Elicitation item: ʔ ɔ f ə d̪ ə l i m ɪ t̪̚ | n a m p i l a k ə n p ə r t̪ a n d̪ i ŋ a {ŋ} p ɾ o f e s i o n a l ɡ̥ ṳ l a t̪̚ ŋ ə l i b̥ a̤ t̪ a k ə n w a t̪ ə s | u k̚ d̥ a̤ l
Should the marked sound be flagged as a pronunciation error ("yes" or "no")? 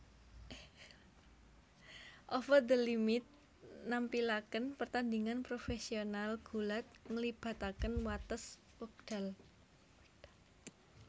yes